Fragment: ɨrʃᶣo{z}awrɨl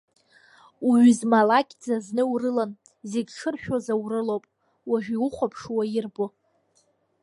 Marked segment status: correct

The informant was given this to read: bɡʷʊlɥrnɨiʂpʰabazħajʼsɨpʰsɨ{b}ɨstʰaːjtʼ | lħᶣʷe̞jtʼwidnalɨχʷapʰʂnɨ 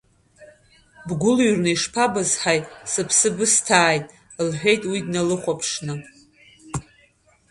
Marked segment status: correct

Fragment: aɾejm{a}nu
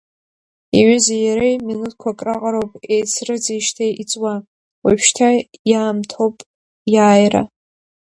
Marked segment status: incorrect: i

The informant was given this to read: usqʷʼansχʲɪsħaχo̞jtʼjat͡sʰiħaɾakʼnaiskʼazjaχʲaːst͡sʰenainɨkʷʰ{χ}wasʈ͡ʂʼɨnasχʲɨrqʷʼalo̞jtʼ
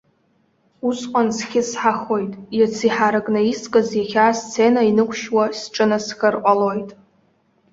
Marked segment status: incorrect: ʃ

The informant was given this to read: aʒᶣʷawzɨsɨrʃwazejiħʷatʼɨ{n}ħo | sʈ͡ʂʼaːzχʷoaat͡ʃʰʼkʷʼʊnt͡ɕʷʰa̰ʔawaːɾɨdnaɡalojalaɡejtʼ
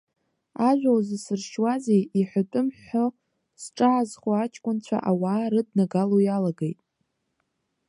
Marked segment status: incorrect: m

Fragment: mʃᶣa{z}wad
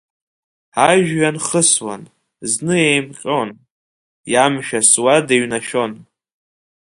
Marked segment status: incorrect: s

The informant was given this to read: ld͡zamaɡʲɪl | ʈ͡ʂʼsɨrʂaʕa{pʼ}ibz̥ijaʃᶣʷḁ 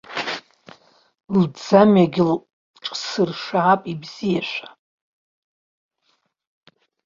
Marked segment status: correct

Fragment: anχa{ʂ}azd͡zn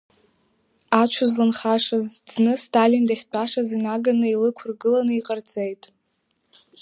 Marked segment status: correct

